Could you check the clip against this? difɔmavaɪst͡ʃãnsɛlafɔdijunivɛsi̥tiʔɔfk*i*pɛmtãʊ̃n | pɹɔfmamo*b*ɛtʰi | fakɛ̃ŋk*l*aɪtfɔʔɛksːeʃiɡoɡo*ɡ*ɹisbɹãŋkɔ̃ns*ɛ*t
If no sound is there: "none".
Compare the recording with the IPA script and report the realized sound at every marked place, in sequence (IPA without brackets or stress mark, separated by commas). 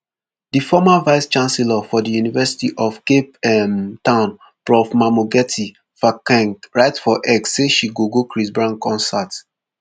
e, ɡ, ɹ, k, a